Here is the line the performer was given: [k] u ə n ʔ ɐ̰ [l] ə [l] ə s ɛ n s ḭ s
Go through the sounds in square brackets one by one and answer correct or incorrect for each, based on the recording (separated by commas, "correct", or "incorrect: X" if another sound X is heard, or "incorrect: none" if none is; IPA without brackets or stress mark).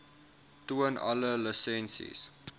incorrect: t, correct, correct